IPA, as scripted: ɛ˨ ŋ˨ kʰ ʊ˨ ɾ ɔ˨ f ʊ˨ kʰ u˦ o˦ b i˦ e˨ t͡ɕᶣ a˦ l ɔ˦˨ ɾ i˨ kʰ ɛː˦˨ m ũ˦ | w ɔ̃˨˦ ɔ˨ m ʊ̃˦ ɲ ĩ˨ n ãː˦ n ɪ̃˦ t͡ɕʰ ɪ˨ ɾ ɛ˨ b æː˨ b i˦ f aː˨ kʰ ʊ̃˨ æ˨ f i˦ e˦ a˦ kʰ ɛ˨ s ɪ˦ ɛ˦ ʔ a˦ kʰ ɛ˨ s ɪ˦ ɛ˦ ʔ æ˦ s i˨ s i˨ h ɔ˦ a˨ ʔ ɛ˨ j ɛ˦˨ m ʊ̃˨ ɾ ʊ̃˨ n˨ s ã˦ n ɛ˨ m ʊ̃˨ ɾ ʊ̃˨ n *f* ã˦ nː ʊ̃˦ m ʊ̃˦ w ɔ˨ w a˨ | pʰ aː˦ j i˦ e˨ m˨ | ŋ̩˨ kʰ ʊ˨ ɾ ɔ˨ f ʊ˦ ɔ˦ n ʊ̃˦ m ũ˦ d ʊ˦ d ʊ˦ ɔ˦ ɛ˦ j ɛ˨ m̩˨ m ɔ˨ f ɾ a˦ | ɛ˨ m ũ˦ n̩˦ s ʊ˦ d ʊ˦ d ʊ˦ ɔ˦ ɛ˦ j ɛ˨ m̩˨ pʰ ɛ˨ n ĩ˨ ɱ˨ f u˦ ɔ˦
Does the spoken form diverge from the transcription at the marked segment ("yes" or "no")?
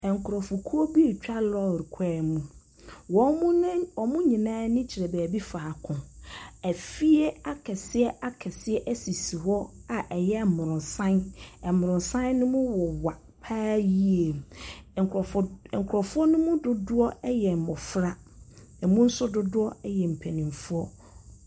yes